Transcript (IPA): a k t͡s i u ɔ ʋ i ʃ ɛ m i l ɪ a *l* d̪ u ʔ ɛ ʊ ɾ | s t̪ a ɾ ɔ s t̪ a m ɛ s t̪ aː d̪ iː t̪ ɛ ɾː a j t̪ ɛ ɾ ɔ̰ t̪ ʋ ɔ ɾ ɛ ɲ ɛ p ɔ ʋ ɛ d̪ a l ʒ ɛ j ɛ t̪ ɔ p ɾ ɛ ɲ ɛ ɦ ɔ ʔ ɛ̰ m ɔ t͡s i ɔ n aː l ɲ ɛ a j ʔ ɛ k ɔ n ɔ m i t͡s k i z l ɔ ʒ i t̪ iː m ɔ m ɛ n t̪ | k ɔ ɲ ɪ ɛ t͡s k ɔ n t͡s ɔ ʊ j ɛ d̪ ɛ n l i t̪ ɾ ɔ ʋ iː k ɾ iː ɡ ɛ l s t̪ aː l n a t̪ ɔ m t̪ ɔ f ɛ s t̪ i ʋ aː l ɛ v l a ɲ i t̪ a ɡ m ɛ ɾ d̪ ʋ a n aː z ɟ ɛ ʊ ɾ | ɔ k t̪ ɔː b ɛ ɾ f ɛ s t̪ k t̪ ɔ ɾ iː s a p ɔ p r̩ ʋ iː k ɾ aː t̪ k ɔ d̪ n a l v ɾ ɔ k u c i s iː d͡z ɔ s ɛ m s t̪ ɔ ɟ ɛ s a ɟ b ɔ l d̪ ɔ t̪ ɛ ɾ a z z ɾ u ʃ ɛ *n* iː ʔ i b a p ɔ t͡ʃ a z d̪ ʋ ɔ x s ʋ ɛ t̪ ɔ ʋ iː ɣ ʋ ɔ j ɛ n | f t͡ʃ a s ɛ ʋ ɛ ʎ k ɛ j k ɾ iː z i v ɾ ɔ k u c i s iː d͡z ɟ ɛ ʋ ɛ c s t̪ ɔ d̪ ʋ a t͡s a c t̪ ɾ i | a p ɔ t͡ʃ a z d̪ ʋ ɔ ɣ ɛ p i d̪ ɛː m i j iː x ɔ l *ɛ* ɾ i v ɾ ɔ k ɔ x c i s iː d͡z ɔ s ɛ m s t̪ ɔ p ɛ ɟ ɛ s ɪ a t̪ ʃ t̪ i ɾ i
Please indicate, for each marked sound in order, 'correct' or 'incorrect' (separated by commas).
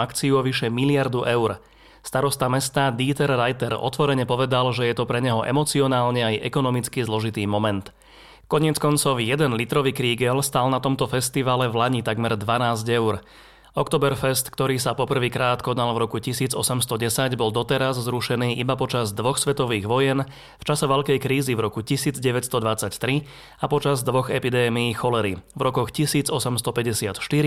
incorrect, correct, correct